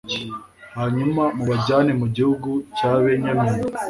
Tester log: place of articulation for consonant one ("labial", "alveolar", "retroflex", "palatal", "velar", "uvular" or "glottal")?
glottal